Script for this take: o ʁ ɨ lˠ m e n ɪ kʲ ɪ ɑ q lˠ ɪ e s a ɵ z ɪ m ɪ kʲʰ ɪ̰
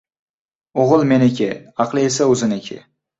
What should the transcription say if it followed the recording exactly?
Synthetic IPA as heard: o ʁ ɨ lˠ m e n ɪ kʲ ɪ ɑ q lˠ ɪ e s a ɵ z ɪ n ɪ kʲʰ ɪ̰